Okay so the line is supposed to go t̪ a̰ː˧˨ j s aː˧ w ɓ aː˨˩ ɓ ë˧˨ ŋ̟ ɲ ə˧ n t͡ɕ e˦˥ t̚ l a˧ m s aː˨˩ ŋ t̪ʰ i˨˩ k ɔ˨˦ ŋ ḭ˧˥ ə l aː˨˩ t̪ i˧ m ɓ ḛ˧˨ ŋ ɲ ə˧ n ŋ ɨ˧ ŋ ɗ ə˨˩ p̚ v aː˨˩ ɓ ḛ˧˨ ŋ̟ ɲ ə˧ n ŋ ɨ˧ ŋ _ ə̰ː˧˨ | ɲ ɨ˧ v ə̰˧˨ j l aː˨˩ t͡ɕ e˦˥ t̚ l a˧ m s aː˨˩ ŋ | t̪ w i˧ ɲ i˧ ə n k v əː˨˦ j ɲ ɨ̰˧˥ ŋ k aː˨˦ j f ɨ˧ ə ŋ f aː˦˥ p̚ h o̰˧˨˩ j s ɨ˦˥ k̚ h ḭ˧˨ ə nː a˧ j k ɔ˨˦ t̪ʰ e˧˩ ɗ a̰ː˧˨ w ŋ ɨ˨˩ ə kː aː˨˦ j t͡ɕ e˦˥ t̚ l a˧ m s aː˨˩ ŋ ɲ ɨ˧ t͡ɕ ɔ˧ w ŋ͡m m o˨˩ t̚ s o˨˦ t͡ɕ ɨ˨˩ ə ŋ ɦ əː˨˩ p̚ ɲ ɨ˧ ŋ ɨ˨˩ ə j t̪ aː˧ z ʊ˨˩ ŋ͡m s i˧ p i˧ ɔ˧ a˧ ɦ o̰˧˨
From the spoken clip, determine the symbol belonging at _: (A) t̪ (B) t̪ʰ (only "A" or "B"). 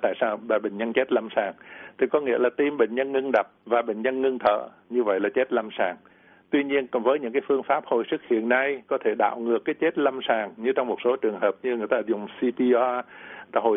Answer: B